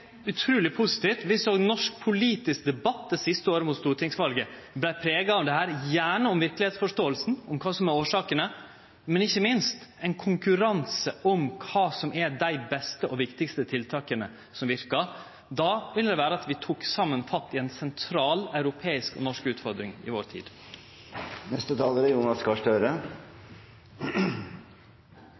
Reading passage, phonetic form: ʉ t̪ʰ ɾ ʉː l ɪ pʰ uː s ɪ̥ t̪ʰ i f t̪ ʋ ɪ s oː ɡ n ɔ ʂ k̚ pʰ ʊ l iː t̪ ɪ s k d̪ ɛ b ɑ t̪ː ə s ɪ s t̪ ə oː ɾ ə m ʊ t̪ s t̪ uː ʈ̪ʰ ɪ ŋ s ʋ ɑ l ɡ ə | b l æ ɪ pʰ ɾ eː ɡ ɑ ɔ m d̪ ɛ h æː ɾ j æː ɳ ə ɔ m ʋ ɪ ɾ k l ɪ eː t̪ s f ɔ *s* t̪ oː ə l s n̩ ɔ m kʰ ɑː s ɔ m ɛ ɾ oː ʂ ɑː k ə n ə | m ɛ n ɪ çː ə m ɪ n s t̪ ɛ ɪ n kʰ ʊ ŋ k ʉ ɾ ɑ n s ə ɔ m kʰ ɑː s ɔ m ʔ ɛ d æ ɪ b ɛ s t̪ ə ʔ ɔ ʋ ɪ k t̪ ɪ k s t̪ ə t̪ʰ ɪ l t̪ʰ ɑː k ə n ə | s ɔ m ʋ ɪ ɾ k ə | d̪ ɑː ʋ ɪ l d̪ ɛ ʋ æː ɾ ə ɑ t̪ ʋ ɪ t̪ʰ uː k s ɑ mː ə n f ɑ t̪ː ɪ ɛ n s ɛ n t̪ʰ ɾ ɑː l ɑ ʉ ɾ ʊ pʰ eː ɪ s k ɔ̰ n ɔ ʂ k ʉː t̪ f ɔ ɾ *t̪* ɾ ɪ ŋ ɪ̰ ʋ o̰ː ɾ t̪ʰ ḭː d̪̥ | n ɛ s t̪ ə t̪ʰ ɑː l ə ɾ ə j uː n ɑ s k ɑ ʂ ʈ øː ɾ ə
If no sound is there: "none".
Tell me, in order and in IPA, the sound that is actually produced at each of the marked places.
ʂ, d̪

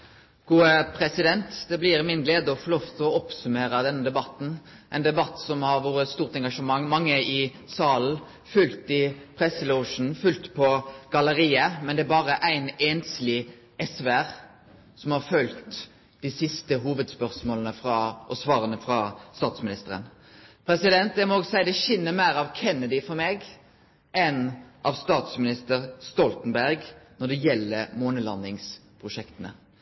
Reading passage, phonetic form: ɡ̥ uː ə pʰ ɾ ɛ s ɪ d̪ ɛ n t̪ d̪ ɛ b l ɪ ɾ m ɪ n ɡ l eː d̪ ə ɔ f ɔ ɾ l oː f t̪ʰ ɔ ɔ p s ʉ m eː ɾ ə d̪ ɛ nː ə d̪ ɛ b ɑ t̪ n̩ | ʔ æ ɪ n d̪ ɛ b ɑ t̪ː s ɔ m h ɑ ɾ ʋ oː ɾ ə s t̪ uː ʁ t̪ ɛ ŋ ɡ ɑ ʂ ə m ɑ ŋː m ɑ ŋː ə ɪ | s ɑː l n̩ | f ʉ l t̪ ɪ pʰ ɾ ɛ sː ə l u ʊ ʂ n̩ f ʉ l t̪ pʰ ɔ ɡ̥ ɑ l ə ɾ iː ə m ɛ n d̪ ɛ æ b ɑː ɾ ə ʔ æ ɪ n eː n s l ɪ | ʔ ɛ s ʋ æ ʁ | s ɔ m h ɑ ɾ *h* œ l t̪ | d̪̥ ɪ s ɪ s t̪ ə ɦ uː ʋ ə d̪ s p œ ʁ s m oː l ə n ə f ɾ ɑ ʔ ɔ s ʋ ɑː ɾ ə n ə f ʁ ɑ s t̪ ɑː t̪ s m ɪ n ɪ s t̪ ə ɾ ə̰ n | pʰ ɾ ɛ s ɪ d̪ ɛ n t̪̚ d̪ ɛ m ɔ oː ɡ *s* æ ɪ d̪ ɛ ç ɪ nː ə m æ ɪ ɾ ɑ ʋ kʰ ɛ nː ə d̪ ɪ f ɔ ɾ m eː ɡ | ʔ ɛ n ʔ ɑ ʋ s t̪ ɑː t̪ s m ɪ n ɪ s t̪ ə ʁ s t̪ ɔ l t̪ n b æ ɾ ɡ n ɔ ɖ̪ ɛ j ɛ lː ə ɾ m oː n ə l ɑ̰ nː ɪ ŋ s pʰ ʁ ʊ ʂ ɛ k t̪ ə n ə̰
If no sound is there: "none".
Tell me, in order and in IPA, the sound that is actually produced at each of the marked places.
f, s

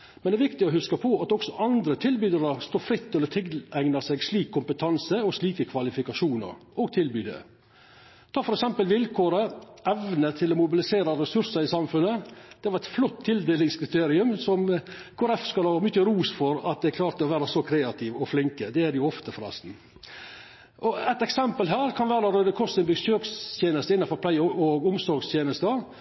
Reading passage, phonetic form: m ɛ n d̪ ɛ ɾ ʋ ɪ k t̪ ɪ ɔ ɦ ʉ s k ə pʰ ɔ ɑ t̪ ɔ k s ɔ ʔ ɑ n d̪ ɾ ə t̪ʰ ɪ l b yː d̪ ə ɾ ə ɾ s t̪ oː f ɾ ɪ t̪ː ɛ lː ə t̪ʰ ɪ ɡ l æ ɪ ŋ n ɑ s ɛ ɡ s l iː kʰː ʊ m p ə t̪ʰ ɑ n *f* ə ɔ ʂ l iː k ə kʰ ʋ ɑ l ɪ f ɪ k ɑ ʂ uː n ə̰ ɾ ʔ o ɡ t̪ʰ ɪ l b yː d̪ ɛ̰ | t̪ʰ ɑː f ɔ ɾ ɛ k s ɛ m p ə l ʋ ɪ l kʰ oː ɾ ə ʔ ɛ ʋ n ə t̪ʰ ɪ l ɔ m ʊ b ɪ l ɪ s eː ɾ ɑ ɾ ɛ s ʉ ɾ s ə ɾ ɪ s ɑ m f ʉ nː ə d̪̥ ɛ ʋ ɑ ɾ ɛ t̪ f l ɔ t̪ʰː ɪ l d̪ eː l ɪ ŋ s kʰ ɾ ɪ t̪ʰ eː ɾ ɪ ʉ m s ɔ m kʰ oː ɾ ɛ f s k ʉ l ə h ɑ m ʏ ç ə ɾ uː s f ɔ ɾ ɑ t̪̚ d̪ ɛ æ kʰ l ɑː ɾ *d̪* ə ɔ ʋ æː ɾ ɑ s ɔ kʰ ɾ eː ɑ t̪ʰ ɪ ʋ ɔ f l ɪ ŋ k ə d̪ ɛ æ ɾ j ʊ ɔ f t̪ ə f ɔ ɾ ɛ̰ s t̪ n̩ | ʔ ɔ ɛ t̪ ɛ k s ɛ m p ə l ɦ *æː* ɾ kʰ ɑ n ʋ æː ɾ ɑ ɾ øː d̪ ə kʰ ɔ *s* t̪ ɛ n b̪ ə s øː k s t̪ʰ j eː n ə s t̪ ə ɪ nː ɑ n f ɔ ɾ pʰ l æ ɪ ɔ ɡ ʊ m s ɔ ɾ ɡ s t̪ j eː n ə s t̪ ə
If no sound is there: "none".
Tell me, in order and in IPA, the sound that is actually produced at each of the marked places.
s, t̪, æː, s

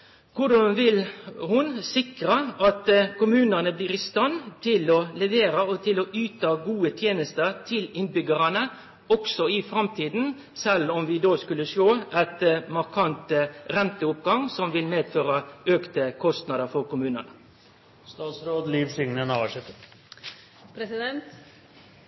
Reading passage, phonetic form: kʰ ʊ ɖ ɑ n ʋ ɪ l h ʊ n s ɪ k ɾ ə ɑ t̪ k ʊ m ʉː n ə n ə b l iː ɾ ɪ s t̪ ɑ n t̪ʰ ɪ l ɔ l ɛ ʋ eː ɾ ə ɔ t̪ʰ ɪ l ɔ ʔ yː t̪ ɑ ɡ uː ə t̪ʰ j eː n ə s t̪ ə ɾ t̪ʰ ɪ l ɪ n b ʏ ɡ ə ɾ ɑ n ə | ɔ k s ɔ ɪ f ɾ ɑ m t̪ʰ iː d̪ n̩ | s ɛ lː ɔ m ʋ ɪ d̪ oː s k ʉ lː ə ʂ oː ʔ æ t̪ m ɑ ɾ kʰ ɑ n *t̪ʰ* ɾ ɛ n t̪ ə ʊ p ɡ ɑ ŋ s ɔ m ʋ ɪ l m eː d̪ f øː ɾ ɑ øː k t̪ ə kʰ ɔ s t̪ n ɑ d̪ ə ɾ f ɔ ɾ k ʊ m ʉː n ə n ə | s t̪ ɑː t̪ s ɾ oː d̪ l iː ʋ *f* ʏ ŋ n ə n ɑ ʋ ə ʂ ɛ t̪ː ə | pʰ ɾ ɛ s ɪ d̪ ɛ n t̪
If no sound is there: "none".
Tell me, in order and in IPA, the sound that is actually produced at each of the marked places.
t̪, s

